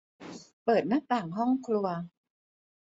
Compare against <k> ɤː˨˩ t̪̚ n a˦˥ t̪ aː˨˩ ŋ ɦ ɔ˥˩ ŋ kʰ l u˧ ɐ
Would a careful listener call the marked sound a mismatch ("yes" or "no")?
yes